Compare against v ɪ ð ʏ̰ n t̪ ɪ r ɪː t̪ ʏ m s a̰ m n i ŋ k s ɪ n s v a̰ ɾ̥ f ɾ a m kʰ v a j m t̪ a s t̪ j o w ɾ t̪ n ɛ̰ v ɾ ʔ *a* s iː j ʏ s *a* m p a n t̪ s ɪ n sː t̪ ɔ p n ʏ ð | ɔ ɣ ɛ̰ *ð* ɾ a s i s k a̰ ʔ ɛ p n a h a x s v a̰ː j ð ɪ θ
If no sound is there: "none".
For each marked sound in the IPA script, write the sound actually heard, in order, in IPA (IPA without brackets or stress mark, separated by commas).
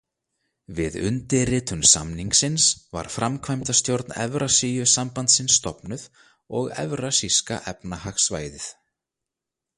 a, a, v